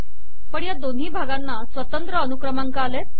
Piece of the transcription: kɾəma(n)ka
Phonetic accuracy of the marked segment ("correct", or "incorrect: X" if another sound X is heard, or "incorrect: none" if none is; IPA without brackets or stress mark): incorrect: ŋ